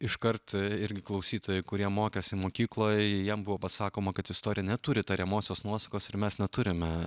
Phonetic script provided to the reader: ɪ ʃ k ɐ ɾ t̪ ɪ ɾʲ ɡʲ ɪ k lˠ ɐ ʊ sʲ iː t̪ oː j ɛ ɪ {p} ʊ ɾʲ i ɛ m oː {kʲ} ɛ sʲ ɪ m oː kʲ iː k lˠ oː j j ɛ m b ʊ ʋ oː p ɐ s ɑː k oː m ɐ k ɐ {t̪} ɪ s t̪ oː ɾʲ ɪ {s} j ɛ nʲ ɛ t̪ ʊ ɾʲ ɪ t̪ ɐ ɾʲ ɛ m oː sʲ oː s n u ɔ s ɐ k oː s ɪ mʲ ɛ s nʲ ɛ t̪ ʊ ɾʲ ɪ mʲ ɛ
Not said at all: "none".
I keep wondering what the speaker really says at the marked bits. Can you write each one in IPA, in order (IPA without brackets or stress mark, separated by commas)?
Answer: k, kʲ, t̪, none